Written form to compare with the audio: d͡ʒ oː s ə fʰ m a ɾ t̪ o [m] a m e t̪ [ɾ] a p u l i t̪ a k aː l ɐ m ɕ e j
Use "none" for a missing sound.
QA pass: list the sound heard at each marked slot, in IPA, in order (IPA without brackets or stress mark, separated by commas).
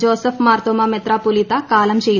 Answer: m, ɾ